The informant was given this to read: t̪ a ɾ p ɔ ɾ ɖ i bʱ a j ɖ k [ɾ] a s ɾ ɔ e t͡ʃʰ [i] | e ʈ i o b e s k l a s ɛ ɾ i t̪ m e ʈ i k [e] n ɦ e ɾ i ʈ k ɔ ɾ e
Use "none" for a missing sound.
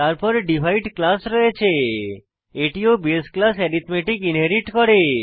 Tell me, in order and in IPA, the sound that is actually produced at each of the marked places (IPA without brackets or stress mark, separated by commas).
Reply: l, e, i